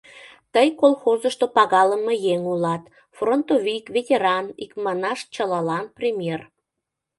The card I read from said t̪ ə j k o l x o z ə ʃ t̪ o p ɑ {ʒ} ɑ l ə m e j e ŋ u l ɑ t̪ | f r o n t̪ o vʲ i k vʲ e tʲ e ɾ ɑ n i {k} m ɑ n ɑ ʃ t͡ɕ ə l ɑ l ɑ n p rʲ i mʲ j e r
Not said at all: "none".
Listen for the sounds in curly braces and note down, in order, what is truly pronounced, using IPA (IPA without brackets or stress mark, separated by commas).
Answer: ɣ, k